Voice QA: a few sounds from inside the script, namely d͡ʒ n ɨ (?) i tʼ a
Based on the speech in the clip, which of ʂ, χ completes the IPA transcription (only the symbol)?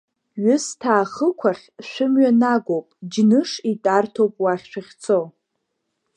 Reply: ʂ